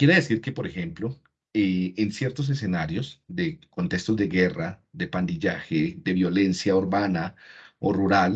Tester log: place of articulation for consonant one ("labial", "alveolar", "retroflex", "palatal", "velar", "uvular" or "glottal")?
velar